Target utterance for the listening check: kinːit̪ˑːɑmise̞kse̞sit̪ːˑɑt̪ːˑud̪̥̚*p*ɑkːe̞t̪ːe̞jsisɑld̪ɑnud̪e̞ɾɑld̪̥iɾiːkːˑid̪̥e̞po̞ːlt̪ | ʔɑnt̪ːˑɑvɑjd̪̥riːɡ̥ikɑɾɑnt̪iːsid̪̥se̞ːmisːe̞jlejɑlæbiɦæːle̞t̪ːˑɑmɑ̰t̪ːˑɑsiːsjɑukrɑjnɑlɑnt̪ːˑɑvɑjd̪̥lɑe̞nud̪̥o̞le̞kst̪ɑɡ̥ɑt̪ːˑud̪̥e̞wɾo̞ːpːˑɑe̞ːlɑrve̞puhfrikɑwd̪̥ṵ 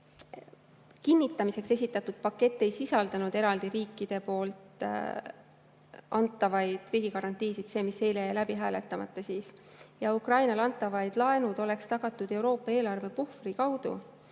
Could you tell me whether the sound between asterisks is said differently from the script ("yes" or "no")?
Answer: no